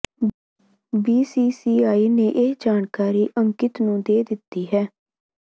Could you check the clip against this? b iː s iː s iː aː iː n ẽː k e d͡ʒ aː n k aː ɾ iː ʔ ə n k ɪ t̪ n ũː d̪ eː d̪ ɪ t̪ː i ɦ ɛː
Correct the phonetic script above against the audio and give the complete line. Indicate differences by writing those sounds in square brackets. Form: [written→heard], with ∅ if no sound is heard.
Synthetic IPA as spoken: b iː s iː s iː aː iː n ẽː [k→ʔ] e d͡ʒ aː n k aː ɾ iː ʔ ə [n→ŋ] k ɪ t̪ n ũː d̪ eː d̪ ɪ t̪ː [i→iː] ɦ ɛː